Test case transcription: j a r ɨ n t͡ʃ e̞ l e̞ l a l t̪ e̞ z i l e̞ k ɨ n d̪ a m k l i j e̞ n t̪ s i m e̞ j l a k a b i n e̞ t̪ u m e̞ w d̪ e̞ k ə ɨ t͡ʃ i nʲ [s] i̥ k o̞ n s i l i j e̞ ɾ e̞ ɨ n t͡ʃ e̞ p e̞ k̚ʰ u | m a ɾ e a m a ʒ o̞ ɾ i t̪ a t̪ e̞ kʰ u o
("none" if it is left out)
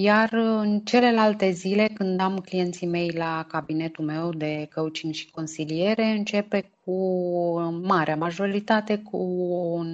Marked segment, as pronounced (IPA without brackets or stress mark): ʃ